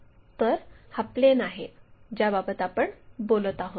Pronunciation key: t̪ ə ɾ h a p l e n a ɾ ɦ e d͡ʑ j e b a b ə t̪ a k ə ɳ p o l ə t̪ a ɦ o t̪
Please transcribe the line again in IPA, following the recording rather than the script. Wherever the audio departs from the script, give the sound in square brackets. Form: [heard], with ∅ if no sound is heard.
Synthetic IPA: t̪ ə ɾ h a p l e n a [∅] ɦ e d͡ʑ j [a] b a b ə t̪ a [p] ə ɳ [b] o l ə t̪ a ɦ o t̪